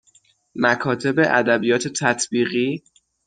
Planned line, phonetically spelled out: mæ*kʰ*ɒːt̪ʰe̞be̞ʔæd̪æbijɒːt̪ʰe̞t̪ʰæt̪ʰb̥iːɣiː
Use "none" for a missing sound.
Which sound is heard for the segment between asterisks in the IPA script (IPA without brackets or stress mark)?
kʰ